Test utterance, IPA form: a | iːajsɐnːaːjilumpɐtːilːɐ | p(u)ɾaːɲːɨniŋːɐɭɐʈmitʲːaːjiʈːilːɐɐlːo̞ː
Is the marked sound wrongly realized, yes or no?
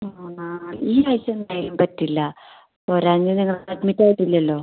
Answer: yes